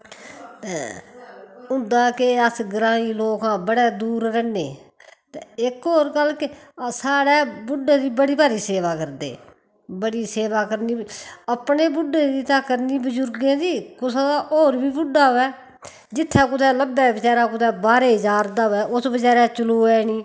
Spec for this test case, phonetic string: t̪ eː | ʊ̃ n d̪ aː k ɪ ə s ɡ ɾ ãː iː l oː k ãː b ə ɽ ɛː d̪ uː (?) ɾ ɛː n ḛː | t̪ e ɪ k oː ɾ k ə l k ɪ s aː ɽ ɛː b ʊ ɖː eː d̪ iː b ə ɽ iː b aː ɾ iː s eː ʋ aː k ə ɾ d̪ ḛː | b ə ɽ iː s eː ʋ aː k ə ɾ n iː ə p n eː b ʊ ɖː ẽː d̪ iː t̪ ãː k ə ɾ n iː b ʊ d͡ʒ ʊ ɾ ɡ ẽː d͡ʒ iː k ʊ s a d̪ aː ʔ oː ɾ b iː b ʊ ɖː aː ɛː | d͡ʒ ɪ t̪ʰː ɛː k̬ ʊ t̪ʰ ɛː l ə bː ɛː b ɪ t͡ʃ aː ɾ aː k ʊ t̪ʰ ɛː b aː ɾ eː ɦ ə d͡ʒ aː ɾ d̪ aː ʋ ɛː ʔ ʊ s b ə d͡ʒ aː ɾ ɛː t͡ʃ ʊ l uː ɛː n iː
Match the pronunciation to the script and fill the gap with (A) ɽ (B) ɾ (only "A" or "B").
B